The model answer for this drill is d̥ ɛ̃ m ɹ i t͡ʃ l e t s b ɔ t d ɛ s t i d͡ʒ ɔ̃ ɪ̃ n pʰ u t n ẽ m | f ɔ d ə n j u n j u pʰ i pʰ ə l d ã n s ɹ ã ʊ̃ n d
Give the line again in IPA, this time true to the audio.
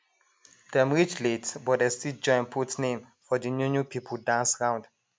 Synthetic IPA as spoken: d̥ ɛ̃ m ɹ i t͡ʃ l e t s b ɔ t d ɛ s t i d͡ʒ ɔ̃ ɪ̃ n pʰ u t n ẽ m | f ɔ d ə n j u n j u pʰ i pʰ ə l d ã n s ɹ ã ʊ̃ n d